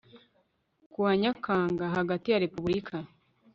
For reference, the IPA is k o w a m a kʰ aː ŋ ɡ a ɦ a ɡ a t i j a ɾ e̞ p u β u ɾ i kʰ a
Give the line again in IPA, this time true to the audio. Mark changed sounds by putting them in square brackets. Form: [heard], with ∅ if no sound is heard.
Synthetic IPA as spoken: k [u] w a [ɲ] a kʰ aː ŋ ɡ a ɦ a ɡ a t i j a ɾ e̞ p u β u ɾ i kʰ a